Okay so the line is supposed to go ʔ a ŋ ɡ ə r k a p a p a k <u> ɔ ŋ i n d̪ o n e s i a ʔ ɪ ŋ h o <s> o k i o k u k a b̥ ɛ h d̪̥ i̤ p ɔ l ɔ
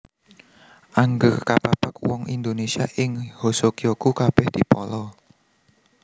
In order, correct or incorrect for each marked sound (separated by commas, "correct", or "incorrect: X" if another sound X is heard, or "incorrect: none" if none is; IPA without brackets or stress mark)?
incorrect: w, correct